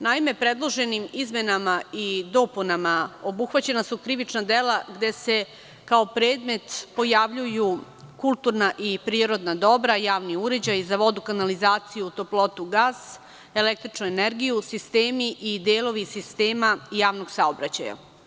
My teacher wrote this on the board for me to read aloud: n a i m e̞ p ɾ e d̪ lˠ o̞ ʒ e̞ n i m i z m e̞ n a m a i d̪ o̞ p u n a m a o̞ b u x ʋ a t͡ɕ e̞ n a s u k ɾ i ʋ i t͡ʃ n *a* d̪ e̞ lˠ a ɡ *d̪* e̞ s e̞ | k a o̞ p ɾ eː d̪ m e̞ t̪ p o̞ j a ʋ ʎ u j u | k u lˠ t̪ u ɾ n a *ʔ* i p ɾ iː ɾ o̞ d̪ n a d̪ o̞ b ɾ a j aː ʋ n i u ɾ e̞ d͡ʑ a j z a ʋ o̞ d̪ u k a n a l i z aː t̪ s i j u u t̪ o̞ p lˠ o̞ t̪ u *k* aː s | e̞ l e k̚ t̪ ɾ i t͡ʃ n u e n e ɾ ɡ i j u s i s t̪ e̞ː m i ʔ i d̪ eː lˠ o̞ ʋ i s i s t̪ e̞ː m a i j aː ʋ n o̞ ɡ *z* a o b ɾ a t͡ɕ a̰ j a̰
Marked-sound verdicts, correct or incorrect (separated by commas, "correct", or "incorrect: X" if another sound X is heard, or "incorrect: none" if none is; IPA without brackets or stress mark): correct, correct, correct, incorrect: ɡ, incorrect: s